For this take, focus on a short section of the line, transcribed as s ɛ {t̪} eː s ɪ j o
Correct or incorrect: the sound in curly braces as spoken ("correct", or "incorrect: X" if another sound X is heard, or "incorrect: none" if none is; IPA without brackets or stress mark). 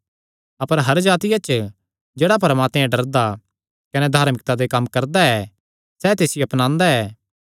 correct